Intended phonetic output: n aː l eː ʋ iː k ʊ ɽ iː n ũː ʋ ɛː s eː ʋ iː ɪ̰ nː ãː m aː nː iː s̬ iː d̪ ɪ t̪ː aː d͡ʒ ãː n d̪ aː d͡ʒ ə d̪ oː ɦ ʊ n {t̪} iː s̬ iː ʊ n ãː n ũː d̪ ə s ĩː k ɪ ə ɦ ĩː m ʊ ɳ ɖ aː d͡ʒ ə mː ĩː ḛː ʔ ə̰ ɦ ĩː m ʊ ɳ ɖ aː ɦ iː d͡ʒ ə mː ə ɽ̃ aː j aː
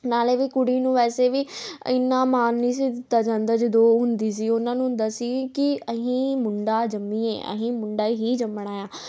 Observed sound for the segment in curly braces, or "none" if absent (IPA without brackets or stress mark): d̪